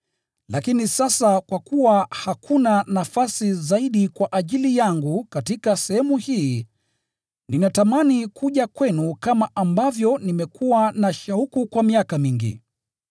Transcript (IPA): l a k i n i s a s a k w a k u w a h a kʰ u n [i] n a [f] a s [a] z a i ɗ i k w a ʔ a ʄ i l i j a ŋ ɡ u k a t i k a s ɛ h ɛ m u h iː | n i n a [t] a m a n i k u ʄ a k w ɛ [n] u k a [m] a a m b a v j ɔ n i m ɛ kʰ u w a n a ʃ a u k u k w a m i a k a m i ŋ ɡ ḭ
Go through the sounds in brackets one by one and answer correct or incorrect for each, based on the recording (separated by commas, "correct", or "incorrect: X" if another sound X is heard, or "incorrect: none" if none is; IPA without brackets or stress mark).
incorrect: a, correct, incorrect: i, correct, correct, correct